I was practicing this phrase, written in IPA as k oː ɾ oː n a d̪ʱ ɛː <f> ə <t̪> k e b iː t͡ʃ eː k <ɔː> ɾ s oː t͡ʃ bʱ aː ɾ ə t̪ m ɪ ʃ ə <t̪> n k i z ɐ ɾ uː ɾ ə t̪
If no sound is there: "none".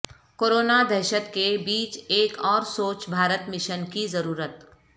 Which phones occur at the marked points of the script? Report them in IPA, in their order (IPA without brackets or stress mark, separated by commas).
ʃ, t̪, ɔː, none